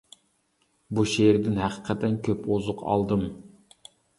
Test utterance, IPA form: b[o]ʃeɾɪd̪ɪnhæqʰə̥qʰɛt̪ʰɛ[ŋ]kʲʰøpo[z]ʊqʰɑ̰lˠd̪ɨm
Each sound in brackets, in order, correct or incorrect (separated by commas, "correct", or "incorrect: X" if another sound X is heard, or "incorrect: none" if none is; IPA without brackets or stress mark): incorrect: u, incorrect: n, correct